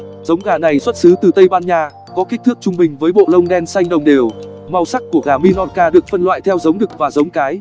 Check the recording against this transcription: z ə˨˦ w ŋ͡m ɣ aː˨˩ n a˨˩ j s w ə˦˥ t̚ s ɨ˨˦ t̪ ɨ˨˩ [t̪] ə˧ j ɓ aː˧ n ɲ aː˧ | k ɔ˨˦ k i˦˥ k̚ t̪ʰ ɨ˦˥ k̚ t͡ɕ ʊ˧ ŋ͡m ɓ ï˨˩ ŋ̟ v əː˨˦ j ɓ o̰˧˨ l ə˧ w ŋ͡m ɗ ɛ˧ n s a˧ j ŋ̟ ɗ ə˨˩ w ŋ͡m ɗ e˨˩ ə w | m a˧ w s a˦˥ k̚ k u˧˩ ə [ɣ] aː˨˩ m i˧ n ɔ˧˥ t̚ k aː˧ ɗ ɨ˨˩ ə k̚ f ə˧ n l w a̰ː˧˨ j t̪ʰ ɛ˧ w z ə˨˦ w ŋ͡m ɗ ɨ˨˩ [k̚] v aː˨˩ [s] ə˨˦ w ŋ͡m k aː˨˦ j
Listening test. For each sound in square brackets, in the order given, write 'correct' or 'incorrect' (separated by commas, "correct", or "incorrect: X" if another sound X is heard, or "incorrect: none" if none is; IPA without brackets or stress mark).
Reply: correct, correct, correct, incorrect: z